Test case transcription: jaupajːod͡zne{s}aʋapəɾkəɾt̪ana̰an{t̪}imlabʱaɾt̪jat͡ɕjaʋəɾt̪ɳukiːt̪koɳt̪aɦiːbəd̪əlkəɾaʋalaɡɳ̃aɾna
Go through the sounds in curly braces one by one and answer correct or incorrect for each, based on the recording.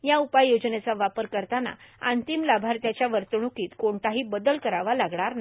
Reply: incorrect, correct

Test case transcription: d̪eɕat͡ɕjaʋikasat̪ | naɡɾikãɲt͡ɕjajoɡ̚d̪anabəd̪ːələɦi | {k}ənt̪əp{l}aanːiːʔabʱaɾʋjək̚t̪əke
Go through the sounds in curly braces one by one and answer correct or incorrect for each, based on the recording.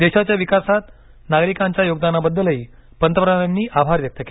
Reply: incorrect, incorrect

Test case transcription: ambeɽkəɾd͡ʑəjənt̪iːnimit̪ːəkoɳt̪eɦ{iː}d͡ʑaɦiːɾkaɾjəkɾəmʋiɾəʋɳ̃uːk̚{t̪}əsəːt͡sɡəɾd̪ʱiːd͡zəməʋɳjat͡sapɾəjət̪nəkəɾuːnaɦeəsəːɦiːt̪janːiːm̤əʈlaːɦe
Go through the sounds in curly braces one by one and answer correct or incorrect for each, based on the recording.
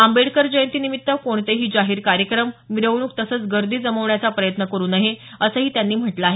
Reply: correct, correct

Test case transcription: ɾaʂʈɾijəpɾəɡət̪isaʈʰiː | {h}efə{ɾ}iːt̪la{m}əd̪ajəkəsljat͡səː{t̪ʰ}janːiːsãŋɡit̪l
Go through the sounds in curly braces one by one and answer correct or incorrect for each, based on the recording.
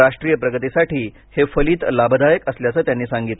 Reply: correct, incorrect, incorrect, incorrect

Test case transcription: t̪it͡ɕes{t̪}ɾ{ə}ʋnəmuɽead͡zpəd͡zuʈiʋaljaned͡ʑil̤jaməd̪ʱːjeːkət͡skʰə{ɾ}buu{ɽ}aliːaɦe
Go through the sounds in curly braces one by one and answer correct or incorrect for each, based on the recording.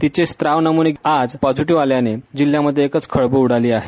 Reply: correct, incorrect, incorrect, correct

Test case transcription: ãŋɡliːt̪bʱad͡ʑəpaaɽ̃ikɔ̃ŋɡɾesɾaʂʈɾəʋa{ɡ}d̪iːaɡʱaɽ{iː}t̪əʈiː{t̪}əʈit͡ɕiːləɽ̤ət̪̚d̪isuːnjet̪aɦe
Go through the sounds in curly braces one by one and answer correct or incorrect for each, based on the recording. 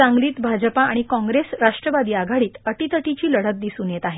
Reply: incorrect, correct, correct

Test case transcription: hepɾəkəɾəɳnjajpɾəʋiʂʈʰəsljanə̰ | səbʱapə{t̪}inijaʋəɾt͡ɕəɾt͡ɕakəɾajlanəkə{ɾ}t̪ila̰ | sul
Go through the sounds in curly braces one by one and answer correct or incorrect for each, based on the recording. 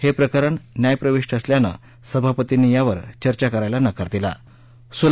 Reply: correct, correct

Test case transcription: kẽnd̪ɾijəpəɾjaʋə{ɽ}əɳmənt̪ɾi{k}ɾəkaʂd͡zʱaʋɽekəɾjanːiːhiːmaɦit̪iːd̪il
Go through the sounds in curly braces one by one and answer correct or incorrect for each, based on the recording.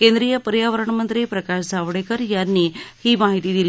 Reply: incorrect, incorrect

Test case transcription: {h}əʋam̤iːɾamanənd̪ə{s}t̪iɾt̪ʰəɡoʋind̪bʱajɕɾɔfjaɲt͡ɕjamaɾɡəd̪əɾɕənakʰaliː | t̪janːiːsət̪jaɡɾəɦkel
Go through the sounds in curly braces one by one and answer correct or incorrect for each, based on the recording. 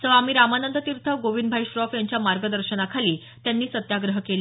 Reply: incorrect, incorrect

